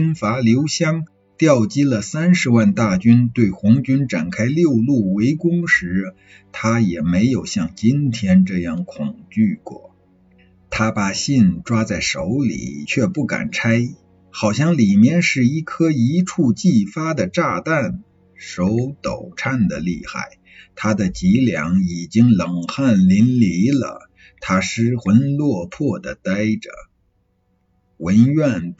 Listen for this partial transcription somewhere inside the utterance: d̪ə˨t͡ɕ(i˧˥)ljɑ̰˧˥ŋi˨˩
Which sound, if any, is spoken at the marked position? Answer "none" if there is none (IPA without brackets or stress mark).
i˧˥